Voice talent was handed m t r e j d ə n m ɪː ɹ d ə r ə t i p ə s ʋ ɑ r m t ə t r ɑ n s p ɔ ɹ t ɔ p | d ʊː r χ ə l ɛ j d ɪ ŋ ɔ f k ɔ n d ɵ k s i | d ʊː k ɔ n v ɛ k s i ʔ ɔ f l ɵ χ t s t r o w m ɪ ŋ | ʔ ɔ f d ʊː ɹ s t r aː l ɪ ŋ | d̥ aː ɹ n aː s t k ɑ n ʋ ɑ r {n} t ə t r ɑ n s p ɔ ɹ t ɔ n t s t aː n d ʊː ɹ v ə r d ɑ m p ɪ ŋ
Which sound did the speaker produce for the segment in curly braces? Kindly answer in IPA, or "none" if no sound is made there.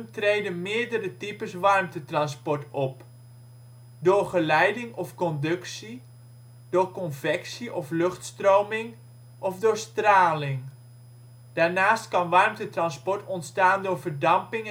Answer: m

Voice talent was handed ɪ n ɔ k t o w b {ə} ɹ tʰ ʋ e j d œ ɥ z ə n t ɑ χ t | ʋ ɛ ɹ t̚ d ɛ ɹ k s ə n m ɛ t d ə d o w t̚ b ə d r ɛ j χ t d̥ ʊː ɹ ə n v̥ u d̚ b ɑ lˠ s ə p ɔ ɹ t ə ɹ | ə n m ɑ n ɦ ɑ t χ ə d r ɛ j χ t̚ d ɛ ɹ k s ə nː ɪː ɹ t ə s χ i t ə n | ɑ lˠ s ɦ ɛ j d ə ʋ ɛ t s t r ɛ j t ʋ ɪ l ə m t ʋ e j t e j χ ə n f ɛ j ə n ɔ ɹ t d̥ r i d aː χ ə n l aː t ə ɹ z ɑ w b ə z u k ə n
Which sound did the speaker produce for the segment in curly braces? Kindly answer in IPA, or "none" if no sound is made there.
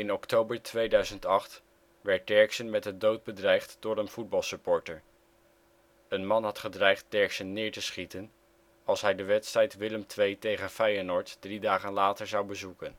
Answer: ə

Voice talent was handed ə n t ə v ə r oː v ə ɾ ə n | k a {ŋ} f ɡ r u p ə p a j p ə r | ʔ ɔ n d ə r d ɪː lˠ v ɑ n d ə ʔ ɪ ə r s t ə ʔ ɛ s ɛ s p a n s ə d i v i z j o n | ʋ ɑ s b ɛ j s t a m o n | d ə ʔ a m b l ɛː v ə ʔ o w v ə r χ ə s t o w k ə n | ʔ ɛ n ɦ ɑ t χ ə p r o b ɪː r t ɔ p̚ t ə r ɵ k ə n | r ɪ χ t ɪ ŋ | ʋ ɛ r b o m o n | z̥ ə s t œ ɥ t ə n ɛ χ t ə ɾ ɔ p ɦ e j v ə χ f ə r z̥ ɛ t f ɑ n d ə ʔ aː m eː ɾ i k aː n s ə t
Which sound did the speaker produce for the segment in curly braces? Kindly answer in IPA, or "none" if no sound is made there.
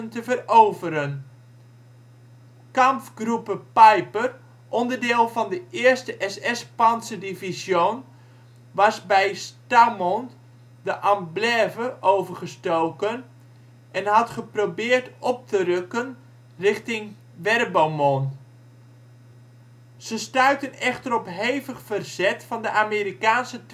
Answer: m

